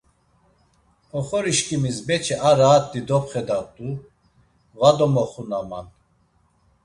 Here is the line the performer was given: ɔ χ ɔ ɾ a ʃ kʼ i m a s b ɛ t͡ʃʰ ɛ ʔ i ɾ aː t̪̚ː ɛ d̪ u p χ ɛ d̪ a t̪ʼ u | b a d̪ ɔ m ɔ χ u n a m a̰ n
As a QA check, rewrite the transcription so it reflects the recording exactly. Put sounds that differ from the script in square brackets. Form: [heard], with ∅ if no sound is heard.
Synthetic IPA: ɔ χ ɔ ɾ [i] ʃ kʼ i m [i] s b ɛ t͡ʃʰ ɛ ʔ [a] ɾ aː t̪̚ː [i] d̪ [ɔ] p χ ɛ d̪ a t̪ʼ u | [v] a d̪ ɔ m ɔ χ u n a m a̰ n